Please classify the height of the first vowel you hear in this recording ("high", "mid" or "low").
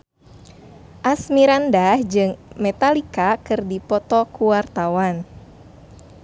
low